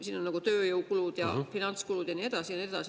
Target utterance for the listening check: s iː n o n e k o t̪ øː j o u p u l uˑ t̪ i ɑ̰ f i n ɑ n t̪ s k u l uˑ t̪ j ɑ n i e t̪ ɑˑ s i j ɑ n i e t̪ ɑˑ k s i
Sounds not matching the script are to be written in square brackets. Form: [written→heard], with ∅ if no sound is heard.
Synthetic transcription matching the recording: s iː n o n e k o t̪ øː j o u [p→k] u l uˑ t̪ [i→j] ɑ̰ f i n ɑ n t̪ s k u l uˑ t̪ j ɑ n i e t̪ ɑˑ s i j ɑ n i e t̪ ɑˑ [k→∅] s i

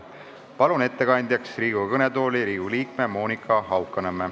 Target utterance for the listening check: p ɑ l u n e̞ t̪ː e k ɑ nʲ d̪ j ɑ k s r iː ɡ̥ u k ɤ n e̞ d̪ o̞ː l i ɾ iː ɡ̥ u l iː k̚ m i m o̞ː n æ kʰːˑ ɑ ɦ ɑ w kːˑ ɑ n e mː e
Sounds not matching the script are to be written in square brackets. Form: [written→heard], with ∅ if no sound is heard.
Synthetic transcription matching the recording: p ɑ l u n e̞ t̪ː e k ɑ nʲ d̪ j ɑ k s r iː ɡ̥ u k ɤ n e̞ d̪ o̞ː l i ɾ iː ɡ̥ u l iː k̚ m [i→e] m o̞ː n [æ→i] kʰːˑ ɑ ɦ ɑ w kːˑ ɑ n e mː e

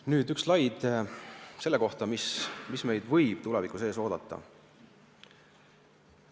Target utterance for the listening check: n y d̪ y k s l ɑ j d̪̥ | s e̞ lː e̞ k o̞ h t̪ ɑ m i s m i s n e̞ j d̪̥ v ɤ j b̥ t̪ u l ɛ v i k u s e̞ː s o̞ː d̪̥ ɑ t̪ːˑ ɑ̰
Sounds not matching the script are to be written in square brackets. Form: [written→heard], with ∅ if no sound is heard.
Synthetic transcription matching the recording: n [y→yː] d̪ y k s l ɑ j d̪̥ | s e̞ lː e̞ k o̞ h t̪ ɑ m i s m i s [n→m] e̞ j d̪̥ v ɤ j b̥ t̪ u l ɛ v i k u s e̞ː s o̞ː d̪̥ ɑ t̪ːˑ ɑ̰

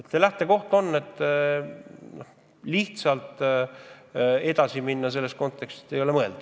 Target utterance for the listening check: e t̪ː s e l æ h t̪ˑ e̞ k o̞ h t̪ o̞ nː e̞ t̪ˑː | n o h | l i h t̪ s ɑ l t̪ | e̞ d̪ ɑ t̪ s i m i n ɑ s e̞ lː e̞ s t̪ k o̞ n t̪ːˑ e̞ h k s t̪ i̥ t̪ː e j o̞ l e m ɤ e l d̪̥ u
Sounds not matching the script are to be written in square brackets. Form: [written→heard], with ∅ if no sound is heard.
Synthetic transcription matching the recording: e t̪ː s e l æ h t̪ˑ e̞ k o̞ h t̪ o̞ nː e̞ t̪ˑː | n o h | l i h t̪ s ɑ l t̪ | e̞ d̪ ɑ [t̪→∅] s i m i [n→nː] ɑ s e̞ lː e̞ s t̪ k o̞ n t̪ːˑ e̞ [h→∅] k s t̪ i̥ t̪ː e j o̞ l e m ɤ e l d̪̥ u

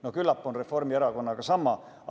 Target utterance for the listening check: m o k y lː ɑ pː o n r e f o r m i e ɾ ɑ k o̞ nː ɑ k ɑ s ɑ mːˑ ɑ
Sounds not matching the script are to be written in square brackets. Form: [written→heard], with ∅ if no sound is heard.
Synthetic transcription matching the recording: [m→n] o k y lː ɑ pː o n r e f o r m i e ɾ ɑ k o̞ nː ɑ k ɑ s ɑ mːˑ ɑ

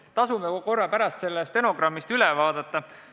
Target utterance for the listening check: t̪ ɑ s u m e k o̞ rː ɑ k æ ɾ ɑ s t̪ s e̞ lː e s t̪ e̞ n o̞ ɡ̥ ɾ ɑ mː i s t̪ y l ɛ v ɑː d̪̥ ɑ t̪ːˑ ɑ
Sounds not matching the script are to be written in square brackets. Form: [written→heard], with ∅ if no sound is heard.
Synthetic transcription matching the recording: t̪ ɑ s u m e k o̞ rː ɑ [k→p] æ ɾ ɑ s t̪ s e̞ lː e s t̪ e̞ n o̞ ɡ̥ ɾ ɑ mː i s t̪ y l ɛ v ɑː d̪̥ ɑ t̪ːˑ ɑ

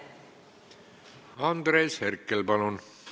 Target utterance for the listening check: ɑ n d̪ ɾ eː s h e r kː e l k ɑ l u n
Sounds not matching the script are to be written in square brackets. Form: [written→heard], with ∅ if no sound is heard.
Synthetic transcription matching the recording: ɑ n d̪ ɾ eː s h e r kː e l [k→p] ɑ l u n

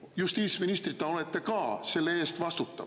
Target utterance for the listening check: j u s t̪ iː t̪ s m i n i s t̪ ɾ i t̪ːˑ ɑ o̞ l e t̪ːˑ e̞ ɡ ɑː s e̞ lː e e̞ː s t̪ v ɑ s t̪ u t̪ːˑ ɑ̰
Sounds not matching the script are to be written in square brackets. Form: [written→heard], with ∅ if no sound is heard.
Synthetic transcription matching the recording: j u s t̪ iː t̪ s m i n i s t̪ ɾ i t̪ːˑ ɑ o̞ l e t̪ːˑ e̞ [ɡ→k] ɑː s e̞ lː e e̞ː s t̪ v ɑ s t̪ u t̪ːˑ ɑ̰

